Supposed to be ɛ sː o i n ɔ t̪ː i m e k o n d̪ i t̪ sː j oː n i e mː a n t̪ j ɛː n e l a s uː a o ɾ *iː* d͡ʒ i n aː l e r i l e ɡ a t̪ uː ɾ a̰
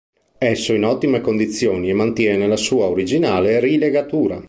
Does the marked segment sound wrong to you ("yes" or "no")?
yes